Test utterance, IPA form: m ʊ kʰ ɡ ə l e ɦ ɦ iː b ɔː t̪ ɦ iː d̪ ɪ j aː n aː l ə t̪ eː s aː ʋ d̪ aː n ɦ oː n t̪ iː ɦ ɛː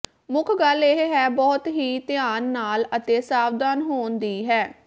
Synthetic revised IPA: m ʊ kʰ ɡ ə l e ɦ ɦ ɛː b ɔː t̪ ɦ iː t̪ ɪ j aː nː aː l ə t̪ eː s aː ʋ d̪ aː n ɦ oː n d̪ iː ɦ ɛː